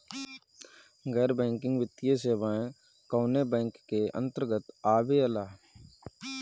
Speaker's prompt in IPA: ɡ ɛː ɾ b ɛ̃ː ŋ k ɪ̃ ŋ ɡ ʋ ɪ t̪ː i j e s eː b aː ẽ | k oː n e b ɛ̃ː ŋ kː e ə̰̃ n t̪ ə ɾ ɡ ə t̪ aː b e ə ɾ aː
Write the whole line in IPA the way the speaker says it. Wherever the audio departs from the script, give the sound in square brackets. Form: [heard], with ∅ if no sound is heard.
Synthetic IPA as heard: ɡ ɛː ɾ b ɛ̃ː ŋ k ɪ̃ ŋ ɡ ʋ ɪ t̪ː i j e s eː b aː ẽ | k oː n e b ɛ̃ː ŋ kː e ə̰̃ n t̪ ə ɾ ɡ ə t̪ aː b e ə [l] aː